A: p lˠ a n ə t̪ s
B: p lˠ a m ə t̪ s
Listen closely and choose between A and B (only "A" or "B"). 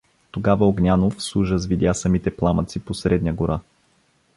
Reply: B